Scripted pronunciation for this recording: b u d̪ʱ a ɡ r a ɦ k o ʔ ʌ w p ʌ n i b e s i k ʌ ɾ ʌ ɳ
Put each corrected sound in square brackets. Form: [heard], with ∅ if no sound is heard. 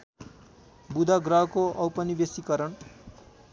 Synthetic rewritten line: b u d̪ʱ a ɡ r [ʌ] ɦ k o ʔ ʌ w p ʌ n i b e s i k ʌ ɾ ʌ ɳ

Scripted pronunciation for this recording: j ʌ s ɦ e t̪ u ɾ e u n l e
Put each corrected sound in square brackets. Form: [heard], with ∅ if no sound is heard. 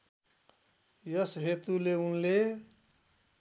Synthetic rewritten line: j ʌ s ɦ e t̪ u [l] e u n l e

